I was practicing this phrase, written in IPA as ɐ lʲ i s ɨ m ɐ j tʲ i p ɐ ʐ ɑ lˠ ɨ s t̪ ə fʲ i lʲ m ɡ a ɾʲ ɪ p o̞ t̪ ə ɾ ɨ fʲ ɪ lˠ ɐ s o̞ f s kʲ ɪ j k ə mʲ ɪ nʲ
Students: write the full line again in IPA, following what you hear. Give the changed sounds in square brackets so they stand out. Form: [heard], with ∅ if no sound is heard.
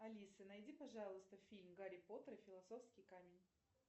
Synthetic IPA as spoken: ɐ lʲ i s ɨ [n] ɐ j [dʲ] i p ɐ ʐ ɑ lˠ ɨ s t̪ ə fʲ i lʲ m ɡ a ɾʲ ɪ p o̞ t̪ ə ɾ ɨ fʲ ɪ lˠ ɐ s o̞ f s kʲ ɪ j k [a] mʲ ɪ nʲ